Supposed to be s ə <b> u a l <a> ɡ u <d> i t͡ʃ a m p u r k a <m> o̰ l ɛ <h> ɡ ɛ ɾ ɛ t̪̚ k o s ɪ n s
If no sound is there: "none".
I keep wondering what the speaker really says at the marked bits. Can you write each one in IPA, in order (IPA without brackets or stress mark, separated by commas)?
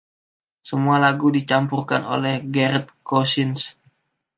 m, a, d, n, h